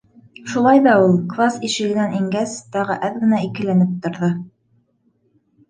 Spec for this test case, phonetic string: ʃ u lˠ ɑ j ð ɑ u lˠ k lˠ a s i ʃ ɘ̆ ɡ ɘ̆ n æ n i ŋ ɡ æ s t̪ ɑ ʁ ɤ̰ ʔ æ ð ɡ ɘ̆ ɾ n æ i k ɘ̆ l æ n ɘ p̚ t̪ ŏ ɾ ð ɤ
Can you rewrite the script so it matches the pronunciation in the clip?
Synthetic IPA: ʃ u lˠ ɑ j ð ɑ u lˠ k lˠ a s i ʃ ɘ̆ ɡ ɘ̆ n æ n i ŋ ɡ æ s t̪ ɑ ʁ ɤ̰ ʔ æ ð ɡ ɘ̆ n æ i k ɘ̆ l æ n ɘ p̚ t̪ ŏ ɾ ð ɤ

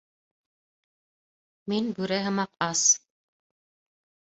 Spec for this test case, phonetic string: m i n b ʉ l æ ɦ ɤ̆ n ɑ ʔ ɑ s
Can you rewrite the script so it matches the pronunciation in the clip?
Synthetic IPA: m i n b ʉ ɾ æ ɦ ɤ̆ m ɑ q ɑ s

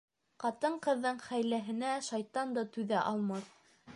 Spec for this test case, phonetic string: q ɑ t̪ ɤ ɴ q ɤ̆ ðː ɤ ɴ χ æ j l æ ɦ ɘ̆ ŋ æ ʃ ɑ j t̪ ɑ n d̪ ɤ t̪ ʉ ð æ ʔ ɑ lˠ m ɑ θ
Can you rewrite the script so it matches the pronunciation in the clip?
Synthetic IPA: q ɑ t̪ ɤ ɴ q ɤ̆ ðː ɤ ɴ χ æ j l æ ɦ ɘ̆ n æ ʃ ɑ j t̪ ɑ n d̪ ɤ t̪ ʉ ð æ ʔ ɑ lˠ m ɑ θ

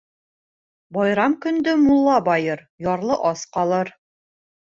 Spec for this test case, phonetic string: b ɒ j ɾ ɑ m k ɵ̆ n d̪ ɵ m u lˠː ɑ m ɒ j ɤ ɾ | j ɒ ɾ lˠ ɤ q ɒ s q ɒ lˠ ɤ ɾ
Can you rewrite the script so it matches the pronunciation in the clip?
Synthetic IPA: b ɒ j ɾ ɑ m k ɵ̆ n d̪ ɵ m u lˠː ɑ b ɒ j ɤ ɾ | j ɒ ɾ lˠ ɤ ʔ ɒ s q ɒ lˠ ɤ ɾ

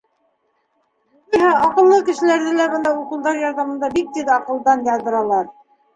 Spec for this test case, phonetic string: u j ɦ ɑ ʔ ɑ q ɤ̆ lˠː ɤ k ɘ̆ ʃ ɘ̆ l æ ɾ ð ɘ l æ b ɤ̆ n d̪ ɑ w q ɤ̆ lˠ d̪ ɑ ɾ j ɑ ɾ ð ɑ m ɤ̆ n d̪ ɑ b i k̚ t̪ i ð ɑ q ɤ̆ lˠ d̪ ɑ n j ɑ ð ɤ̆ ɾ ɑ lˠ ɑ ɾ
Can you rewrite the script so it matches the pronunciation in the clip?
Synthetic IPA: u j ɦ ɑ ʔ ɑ q ɤ̆ lˠː ɤ k ɘ̆ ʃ ɘ̆ l æ ɾ ð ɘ l æ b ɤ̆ n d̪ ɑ u q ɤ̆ lˠ d̪ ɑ ɾ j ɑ ɾ ð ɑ m ɤ̆ n d̪ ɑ b i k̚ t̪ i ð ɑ q ɤ̆ lˠ d̪ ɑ n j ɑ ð ɤ̆ ɾ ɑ lˠ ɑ ɾ

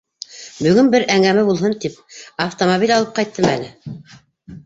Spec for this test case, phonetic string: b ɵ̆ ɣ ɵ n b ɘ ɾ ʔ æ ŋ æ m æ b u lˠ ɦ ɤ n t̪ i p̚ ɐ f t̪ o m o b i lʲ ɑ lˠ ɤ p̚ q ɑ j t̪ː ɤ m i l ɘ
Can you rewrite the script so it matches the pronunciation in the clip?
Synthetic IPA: b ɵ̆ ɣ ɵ n b ɘ ɾ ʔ æ ŋ æ m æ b u lˠ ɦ ɤ n t̪ i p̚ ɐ f t̪ o m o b i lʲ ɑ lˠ ɤ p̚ q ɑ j t̪ː ɤ m æ l ɘ

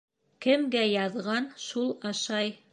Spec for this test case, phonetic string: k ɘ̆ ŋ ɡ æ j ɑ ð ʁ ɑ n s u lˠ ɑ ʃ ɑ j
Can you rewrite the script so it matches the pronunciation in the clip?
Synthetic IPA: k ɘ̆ m ɡ æ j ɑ ð ʁ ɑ n ʃ u lˠ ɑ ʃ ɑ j

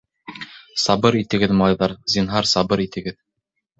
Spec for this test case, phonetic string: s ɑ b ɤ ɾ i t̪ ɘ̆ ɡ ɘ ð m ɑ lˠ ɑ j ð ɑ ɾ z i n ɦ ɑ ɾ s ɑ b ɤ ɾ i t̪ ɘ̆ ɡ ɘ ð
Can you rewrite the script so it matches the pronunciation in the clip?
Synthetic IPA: s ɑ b ɤ ɾ i t̪ ɘ̆ ɡ ɘ ð m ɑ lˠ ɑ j ð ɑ ɾ z i n ɦ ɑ ɾ s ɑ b ɤ ɾ i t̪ ɘ̆ ɡ ɘ ð

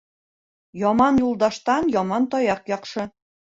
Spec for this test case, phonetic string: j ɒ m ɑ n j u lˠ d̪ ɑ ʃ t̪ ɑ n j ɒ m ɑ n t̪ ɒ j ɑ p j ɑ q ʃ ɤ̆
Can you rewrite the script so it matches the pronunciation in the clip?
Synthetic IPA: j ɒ m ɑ n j u lˠ d̪ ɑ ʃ t̪ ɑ n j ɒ m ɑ n t̪ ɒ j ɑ q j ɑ q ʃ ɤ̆

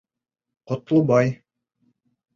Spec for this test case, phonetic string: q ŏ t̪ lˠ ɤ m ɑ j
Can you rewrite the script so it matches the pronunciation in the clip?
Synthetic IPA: q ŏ t̪ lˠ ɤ b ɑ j

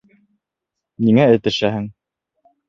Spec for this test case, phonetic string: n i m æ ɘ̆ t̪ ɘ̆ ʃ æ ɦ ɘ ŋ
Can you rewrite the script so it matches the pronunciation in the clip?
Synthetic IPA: n i ŋ æ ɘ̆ t̪ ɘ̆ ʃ æ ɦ ɘ ŋ

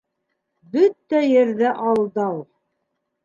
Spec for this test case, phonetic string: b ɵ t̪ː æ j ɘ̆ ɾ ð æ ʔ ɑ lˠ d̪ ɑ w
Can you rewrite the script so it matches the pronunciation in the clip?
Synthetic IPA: b ɵ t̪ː æ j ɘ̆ ɾ ð æ ʔ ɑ lˠ d̪ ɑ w

